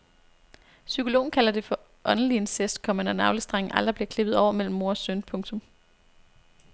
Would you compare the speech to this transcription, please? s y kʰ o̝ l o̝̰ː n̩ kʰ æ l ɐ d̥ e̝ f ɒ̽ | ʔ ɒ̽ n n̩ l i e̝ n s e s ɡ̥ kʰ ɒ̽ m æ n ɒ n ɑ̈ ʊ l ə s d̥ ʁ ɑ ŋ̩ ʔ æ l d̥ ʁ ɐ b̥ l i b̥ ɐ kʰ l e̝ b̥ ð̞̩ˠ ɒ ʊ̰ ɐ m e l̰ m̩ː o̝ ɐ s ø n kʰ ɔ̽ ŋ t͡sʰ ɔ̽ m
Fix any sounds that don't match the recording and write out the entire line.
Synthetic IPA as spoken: s y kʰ o̝ l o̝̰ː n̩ kʰ æ l ɐ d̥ e̝ f ɒ̽ | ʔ ɒ̽ n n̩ l i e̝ n s e s d̥ kʰ ɒ̽ m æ n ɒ n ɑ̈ ʊ l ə s d̥ ʁ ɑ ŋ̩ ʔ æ l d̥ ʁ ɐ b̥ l i ɐ kʰ l e̝ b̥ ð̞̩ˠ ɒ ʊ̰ ɐ m e l̰ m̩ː o̝ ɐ s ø n pʰ ɔ̽ ŋ t͡sʰ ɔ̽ m

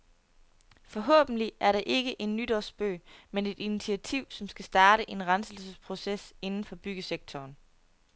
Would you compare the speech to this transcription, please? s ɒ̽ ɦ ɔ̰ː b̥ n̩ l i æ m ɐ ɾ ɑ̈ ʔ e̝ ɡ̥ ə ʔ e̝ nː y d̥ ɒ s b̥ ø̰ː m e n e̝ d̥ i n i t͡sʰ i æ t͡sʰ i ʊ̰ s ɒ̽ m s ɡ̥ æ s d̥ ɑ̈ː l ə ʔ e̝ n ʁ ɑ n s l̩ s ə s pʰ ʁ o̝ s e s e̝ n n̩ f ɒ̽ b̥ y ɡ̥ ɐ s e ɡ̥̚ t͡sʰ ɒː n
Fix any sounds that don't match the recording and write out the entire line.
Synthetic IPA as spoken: f ɒ̽ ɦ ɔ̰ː b̥ n̩ l i æ ɐ ɾ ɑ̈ ʔ e̝ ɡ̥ ə ʔ e̝ nː y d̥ ɒ s b̥ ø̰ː m e n e̝ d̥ i n i t͡sʰ i æ t͡sʰ i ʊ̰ s ɒ̽ m s ɡ̥ æ s d̥ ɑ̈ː ɾ ə ʔ e̝ n ʁ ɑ n s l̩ s ə s pʰ ʁ o̝ s e s e̝ n n̩ f ɒ̽ b̥ y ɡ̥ ə s e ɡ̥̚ t͡sʰ ɒː n

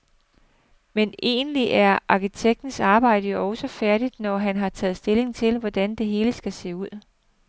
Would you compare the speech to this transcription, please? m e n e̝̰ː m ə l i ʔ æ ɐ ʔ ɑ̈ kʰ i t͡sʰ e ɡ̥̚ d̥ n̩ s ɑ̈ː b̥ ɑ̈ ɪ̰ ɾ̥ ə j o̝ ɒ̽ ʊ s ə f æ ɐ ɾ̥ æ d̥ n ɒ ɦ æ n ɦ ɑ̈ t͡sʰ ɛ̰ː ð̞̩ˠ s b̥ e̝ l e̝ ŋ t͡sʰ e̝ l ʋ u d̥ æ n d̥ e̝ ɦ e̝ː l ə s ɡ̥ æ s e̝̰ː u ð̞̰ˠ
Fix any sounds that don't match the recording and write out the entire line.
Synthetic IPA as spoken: m e n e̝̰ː n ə l i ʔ æ ɐ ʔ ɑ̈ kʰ i t͡sʰ e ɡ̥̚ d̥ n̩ s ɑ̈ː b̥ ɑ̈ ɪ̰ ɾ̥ ə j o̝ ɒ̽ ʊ s ə f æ ɐ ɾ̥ i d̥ n ɒ ɦ æ n ɦ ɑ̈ t͡sʰ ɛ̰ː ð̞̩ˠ s d̥ e̝ l e̝ ŋ t͡sʰ e̝ l ʋ ɒ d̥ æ n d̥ e̝ ɦ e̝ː l ə s ɡ̥ æ s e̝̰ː u ð̞̰ˠ

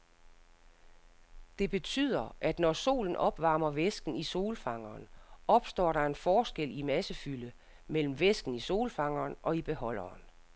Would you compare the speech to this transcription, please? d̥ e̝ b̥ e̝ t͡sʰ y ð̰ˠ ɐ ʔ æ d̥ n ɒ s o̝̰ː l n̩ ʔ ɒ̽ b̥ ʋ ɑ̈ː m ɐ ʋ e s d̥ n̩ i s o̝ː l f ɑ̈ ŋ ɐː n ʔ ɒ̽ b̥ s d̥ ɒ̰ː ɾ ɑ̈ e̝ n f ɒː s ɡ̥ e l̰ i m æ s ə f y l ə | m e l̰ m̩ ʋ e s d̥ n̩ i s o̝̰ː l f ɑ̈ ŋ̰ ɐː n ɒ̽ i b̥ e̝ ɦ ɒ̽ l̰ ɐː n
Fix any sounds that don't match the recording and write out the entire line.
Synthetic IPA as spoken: d̥ e̝ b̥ e̝ t͡sʰ y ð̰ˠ ɐ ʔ æ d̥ n ɒ s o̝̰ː l n̩ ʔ ɒ̽ b̥ ʋ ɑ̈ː m ɐ ʋ e s ɡ̥ n̩ i s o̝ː l f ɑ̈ ŋ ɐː n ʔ ɒ̽ b̥ s d̥ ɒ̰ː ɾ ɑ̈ e̝ n f ɒː s ɡ̥ e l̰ i m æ s ə f y l ə | m e l̰ m̩ ʋ e s ɡ̥ n̩ i s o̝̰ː l f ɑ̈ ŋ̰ ɐː n ɒ̽ i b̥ e̝ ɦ ɒ̽ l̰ ɐː n

